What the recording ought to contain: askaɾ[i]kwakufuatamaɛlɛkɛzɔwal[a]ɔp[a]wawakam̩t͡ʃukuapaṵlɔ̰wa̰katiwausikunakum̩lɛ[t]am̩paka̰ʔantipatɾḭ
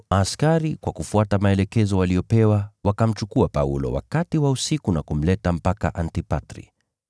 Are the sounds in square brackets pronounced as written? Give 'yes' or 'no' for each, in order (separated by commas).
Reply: yes, no, no, yes